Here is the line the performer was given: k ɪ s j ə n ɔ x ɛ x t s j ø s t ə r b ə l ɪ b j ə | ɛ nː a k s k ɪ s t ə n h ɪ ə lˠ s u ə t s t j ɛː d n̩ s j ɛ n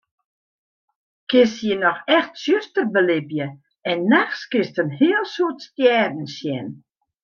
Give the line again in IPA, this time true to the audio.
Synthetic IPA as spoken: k ɪ s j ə n ɔ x ɛ x t s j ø s t ə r b ə l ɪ b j ə | ɛ nː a x s k ɪ s t ə n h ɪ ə lˠ s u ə t s t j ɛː d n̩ s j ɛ n